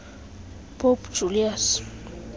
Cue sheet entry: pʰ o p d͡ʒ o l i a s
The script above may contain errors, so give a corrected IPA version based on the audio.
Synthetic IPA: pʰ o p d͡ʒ u l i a s